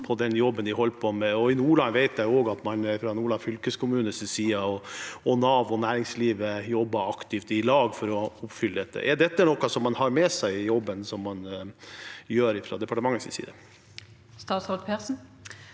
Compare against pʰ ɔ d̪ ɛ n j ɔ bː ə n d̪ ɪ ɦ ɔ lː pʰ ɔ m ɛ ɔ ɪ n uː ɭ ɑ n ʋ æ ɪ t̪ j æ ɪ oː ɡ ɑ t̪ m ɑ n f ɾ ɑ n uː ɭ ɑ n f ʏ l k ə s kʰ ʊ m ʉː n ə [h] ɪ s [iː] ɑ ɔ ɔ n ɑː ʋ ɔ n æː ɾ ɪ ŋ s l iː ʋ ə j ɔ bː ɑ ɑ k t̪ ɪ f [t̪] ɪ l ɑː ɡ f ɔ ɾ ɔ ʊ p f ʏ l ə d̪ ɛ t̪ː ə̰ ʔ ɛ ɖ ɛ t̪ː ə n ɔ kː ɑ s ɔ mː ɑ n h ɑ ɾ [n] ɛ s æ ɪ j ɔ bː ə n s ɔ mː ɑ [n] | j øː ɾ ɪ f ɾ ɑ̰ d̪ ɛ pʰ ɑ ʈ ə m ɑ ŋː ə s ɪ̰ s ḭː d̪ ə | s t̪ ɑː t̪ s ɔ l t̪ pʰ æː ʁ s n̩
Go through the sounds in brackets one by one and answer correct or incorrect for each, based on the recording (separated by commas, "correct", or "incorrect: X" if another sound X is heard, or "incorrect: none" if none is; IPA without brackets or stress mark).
incorrect: s, correct, correct, incorrect: m, correct